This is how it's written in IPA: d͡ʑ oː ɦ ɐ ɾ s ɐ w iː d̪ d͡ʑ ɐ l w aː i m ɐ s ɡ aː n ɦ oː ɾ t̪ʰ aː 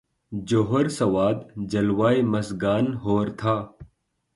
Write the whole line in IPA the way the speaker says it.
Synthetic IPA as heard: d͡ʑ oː ɦ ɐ ɾ s ɐ w aː d̪ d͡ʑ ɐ l w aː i m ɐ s ɡ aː n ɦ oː ɾ t̪ʰ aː

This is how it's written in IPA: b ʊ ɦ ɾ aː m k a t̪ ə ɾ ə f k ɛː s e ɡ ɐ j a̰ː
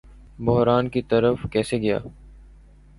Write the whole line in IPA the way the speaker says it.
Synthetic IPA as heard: b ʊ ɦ ɾ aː n k i t̪ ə ɾ ə f k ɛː s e ɡ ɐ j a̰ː

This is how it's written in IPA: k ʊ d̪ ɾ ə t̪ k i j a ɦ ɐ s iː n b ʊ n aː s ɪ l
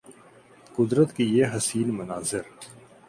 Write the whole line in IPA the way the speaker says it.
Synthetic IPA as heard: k ʊ d̪ ɾ ə t̪ k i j e ɦ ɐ s iː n m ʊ n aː z ɪ ɾ

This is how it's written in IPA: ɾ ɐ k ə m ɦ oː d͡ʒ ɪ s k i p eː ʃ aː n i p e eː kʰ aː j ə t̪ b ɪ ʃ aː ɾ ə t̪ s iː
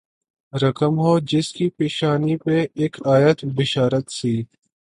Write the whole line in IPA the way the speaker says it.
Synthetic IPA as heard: ɾ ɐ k ə m ɦ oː d͡ʒ ɪ s k i p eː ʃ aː n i p e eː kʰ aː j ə t̪ b ɪ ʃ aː ɾ ə t̪ s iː

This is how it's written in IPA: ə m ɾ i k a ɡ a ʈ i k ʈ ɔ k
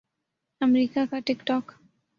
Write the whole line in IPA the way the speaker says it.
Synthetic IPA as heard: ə m ɾ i k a k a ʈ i k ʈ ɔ k

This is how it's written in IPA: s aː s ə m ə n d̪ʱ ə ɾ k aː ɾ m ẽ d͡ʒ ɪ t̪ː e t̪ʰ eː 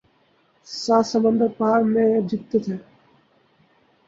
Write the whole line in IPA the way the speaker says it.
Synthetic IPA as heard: s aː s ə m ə n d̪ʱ ə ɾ p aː ɾ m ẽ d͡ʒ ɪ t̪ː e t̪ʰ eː

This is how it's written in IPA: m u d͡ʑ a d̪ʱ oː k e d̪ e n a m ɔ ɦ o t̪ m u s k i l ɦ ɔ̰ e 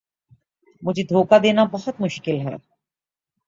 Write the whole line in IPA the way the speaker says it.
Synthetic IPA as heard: m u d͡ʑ i d̪ʱ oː k a d̪ e n a b ɔ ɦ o t̪ m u ʃ k i l ɦ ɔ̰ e

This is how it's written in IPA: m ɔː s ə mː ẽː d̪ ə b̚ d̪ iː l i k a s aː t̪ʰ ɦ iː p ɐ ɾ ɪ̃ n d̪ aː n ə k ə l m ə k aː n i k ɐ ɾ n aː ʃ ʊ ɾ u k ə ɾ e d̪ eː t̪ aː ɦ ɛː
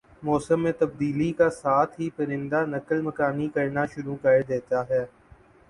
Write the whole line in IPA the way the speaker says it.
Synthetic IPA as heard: m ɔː s ə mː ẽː t̪ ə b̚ d̪ iː l i k a s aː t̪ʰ ɦ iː p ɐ ɾ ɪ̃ n d̪ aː n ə k ə l m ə k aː n i k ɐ ɾ n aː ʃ ʊ ɾ u k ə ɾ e d̪ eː t̪ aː ɦ ɛː

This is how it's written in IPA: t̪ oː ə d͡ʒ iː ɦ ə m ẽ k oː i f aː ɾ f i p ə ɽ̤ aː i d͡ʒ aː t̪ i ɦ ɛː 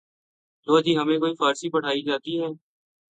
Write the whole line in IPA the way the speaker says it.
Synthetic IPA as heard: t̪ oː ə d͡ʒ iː ɦ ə m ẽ k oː i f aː ɾ s i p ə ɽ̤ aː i d͡ʒ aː t̪ i ɦ ɛː

